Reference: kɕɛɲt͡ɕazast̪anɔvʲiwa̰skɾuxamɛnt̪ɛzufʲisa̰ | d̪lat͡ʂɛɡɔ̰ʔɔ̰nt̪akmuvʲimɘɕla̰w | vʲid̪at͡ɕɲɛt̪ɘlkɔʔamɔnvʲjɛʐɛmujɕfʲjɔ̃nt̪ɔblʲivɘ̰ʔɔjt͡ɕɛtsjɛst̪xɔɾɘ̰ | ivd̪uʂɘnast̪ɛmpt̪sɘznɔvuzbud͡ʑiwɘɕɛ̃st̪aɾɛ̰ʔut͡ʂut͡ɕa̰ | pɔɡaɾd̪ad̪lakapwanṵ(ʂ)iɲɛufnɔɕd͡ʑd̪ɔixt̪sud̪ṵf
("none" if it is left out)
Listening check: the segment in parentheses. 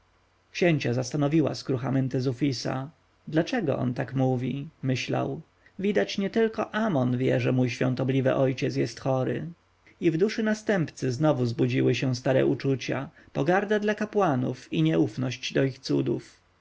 f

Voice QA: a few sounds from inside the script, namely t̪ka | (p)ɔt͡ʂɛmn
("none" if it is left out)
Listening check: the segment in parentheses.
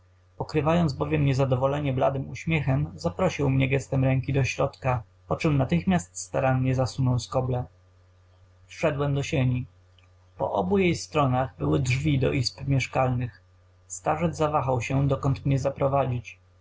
p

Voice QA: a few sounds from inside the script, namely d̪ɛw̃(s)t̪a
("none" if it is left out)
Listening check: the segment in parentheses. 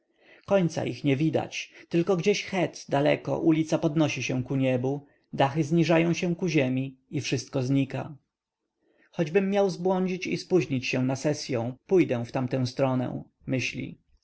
f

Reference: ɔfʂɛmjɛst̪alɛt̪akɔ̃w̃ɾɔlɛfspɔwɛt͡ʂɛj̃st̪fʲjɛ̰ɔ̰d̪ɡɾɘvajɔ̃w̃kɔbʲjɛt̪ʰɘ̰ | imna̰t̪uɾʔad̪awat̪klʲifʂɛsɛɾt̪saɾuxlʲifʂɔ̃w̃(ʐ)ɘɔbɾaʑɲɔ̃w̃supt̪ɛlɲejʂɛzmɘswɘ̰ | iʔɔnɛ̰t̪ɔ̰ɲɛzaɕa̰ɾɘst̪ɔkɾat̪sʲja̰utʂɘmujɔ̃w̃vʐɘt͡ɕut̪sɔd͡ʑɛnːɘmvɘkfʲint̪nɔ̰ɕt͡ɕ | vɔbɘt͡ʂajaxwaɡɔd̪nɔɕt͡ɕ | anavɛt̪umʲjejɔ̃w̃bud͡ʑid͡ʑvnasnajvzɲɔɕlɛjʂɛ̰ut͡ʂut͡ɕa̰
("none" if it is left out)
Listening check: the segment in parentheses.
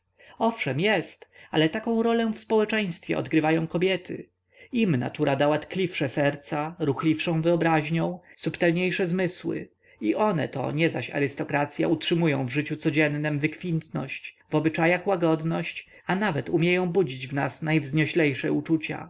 v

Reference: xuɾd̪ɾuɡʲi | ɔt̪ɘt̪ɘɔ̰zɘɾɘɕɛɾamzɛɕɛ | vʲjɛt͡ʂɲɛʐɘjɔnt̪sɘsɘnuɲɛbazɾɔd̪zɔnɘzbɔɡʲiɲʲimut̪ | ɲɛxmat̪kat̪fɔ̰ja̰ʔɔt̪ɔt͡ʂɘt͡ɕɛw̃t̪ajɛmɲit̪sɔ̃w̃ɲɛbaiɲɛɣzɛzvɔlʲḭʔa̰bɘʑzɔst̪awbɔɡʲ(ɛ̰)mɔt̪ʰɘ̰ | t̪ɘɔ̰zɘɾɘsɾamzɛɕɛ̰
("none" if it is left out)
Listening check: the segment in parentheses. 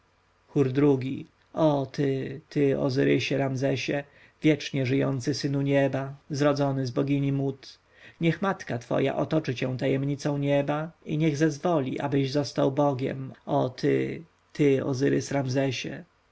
ɛ̰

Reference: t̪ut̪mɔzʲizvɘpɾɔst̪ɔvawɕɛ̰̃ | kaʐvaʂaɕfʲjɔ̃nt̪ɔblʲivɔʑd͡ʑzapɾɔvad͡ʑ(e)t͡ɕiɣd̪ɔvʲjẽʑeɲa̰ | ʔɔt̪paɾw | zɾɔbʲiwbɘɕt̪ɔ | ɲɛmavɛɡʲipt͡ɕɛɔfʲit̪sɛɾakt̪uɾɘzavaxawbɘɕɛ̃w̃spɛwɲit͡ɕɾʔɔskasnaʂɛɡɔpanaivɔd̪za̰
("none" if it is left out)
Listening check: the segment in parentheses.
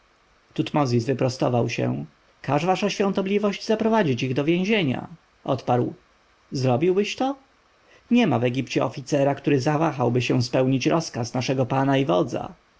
i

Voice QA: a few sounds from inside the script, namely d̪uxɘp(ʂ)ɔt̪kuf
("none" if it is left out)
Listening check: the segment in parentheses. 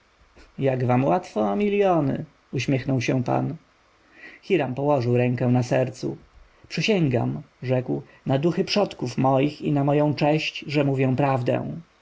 ʂ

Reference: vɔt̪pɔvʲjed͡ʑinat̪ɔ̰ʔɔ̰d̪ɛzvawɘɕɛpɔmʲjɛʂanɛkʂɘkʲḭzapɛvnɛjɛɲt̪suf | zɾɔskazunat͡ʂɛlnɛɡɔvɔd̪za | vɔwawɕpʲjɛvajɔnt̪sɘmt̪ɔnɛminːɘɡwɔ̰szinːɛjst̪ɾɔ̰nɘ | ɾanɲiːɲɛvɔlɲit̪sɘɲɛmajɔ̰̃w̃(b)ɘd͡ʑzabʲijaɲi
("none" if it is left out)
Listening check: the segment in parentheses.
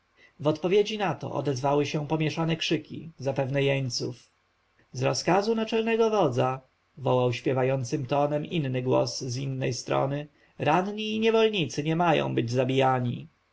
b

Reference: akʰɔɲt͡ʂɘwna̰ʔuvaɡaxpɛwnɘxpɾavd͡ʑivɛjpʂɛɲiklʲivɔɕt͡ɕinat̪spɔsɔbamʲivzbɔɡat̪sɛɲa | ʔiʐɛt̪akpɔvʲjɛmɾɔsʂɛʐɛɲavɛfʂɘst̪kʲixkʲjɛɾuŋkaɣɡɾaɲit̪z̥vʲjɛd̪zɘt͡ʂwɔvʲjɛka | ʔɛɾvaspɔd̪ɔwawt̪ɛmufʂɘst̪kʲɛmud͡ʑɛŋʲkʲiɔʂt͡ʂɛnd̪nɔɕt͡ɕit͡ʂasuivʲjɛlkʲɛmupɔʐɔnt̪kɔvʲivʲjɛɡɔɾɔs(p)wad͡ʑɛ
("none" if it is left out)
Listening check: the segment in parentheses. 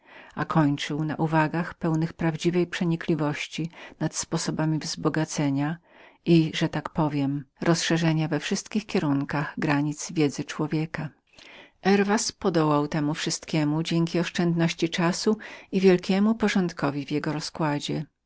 k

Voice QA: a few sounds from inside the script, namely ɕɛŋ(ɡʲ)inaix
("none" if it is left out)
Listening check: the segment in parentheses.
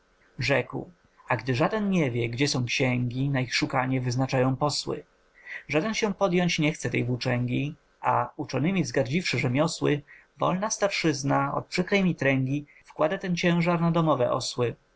ɡʲ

